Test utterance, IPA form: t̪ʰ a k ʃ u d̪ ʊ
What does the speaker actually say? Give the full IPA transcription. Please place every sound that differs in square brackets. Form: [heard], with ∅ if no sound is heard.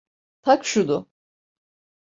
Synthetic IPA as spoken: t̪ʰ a k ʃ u d̪ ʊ